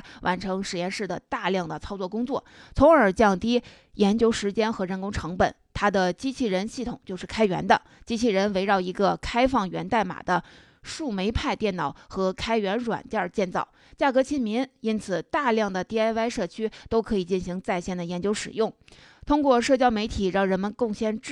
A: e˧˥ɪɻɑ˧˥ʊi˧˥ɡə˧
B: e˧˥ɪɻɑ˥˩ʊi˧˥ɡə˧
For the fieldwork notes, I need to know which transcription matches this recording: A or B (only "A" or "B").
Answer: B